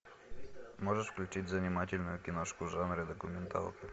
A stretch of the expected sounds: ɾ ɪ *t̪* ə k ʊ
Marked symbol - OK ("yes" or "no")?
no